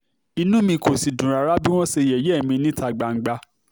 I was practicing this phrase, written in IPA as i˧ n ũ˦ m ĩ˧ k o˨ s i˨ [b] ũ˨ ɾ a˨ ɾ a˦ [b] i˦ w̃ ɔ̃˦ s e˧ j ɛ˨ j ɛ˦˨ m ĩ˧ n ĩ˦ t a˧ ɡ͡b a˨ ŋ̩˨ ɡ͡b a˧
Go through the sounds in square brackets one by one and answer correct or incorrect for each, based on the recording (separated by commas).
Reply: incorrect, correct